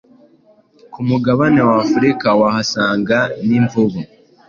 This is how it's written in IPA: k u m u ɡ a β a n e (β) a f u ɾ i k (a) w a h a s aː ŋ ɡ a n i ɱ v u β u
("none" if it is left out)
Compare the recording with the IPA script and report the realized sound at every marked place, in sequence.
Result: w, a

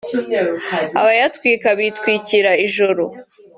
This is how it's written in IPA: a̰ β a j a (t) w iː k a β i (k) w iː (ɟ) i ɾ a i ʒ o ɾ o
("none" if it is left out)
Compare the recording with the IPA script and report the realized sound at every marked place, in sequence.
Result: t, t, c

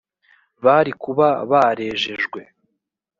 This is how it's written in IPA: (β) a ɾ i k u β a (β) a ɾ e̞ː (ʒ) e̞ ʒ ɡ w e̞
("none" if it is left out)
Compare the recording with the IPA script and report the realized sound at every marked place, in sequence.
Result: β, β, ʒ

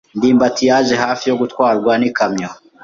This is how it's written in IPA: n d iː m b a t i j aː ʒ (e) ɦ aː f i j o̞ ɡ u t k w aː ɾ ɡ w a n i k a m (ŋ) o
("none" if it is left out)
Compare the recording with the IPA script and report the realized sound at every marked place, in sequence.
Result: e, ɲ

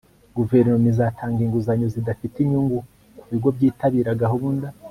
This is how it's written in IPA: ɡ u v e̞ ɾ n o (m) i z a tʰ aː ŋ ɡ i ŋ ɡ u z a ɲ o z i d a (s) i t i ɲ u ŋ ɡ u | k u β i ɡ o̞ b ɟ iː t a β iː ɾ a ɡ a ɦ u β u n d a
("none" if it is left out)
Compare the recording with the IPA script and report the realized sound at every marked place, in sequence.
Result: m, f

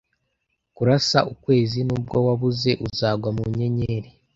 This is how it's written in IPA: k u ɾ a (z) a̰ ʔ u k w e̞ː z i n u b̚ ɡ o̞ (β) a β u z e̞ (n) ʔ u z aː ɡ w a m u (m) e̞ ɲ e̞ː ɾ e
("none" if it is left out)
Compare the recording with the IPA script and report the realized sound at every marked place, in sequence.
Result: s, w, none, ɲ

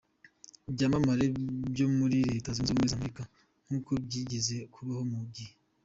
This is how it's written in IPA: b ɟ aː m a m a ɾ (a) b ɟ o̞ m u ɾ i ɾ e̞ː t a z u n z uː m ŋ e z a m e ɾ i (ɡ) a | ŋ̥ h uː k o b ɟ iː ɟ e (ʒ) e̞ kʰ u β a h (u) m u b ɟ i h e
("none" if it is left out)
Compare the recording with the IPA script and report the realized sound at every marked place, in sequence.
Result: e, k, z, o

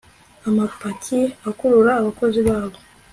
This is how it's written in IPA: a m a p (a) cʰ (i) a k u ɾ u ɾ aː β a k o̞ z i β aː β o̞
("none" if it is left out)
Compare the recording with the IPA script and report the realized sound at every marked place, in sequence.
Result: a, i

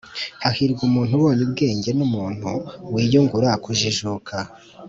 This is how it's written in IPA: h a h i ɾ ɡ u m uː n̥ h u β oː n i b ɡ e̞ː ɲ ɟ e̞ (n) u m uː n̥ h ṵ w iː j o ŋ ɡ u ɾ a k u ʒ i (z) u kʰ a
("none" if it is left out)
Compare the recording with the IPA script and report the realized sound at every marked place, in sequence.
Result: n, ʒ

